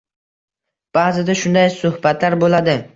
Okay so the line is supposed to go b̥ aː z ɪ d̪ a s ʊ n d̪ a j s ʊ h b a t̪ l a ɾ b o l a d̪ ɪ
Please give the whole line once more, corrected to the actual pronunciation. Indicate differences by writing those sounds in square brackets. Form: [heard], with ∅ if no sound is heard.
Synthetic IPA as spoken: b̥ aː z ɪ d̪ a [ʃ] ʊ n d̪ a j s ʊ h b a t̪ l a ɾ b o l a d̪ ɪ